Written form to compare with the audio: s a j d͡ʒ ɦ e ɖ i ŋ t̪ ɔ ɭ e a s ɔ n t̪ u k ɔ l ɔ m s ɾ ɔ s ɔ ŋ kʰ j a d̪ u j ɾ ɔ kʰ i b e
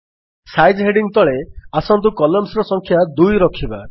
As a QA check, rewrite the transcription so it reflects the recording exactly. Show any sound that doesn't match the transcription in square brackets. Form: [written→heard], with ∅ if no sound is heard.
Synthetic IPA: s a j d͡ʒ ɦ e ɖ i ŋ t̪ ɔ ɭ e a s ɔ n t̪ u k ɔ l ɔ m s ɾ ɔ s ɔ ŋ kʰ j a d̪ u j ɾ ɔ kʰ i b [e→a]